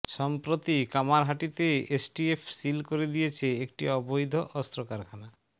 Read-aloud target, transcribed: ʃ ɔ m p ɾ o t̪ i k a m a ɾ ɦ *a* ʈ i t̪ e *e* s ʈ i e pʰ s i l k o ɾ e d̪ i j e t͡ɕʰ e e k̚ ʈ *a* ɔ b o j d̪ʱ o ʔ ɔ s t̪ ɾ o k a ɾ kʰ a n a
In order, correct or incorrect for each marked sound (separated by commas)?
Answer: correct, correct, incorrect